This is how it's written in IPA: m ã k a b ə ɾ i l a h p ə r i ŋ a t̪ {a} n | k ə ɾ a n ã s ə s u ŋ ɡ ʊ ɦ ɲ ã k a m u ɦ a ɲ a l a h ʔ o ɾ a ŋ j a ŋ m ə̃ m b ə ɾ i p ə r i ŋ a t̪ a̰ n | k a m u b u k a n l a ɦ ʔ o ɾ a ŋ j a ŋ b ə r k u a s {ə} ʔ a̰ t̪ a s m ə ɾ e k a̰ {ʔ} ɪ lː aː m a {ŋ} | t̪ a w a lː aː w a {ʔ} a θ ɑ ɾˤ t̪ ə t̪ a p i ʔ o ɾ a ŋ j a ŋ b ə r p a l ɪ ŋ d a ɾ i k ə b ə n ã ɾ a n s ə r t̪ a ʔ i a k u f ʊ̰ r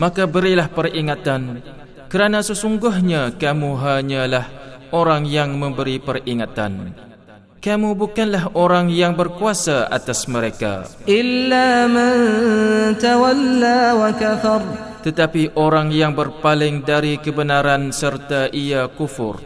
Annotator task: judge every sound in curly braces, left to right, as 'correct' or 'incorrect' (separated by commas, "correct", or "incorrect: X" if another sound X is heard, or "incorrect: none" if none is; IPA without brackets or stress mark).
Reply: correct, incorrect: a, correct, incorrect: n, incorrect: k